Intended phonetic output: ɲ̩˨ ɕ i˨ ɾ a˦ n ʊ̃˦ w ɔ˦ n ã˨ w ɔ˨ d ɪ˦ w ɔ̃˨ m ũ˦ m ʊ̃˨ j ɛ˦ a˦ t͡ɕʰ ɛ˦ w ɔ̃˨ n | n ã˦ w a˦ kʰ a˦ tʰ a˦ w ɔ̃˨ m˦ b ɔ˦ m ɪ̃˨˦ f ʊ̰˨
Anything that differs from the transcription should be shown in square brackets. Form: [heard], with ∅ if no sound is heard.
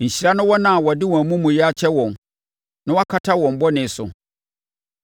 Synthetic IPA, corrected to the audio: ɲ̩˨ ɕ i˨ ɾ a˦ n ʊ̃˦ w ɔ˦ n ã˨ w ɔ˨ d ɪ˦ w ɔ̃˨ m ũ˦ m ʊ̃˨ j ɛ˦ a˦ t͡ɕʰ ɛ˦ w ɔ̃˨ n | n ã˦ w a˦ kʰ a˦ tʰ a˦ w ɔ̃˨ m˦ b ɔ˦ [n] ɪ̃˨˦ [s] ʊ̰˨